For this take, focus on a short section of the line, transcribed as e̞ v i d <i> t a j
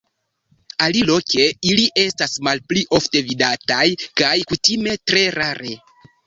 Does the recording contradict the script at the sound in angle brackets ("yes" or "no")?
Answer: yes